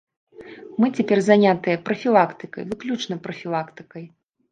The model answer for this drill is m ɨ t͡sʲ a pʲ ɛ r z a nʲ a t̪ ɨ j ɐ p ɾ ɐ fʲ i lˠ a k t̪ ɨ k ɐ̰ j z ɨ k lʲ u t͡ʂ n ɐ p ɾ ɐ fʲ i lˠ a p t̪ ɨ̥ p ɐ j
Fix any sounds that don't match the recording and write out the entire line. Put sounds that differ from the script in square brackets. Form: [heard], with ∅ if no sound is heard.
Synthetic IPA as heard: m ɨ t͡sʲ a pʲ ɛ r z a nʲ a t̪ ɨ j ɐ p ɾ ɐ fʲ i lˠ a k t̪ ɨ k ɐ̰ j [v] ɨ k lʲ u t͡ʂ n ɐ p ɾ ɐ fʲ i lˠ a [k] t̪ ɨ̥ [k] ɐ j